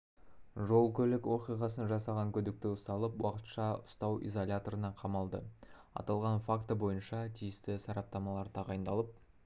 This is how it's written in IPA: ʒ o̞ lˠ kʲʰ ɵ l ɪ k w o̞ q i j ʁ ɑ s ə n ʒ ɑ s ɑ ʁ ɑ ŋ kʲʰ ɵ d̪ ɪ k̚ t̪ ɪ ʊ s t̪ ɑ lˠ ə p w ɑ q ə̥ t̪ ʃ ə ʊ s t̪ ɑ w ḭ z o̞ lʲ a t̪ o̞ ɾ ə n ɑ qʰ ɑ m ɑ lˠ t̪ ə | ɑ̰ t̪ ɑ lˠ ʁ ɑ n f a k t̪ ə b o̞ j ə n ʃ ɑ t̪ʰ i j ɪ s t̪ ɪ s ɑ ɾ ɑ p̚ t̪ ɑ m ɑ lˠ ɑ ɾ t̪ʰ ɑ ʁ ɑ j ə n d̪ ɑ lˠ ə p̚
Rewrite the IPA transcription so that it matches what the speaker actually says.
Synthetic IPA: ʒ o̞ lˠ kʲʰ ɵ l ɪ k w o̞ q i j ʁ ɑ s ə n ʒ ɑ s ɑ ʁ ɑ ŋ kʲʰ ɵ d̪ ɪ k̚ t̪ ɪ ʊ s t̪ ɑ lˠ ə p w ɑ q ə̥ t̪ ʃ ɑ ʊ s t̪ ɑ w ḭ z o̞ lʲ a t̪ o̞ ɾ ə n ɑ qʰ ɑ m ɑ lˠ d̪ ə | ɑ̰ t̪ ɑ lˠ ʁ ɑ n f a k t̪ ə b o̞ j ə n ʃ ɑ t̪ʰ i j ɪ s t̪ ɪ s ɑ ɾ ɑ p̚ t̪ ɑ m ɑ lˠ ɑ ɾ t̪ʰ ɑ ʁ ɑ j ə n d̪ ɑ lˠ ə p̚